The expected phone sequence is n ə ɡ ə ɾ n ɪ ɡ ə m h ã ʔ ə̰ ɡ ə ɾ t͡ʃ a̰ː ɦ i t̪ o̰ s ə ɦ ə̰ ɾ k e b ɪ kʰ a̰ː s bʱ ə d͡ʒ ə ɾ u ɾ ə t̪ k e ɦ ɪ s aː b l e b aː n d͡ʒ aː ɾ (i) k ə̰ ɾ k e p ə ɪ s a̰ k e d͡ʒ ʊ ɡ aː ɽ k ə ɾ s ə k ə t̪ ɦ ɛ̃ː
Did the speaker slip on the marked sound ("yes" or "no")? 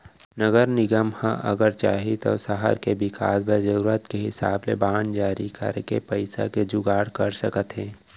no